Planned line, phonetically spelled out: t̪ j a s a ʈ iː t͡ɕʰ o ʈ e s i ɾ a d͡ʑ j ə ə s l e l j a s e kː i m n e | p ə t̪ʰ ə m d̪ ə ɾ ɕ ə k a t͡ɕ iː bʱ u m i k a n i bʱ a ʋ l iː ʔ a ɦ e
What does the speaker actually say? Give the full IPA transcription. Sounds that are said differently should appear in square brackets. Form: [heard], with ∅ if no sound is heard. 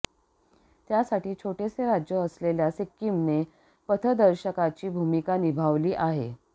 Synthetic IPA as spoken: t̪ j a s a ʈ iː t͡ɕʰ o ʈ e s [e] ɾ a d͡ʑ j ə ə s l e l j a s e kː i m n e | p ə t̪ʰ ə [∅] d̪ ə ɾ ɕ ə k a t͡ɕ iː bʱ u m i k a n i bʱ a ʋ l iː ʔ a ɦ e